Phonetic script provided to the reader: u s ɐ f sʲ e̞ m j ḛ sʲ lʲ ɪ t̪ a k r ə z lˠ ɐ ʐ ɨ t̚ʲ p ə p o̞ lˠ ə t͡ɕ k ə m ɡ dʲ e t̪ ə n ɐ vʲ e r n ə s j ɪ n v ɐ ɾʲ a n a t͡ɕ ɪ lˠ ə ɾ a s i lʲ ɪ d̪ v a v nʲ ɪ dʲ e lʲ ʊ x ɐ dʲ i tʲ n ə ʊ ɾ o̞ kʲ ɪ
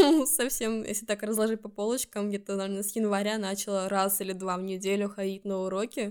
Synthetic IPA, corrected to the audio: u s ɐ f sʲ e̞ m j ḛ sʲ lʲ ɪ t̪ a k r ə z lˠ ɐ ʐ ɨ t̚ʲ p ɐ p o̞ lˠ ə t͡ɕ k ə m ɡ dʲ e t̪ ə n ɐ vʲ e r n ə s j ɪ n v ɐ ɾʲ a n a t͡ɕ ɪ lˠ ə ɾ a s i lʲ ɪ d̪ v a v nʲ ɪ dʲ e lʲ ʊ x ɐ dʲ i tʲ n ə ʊ ɾ o̞ kʲ ɪ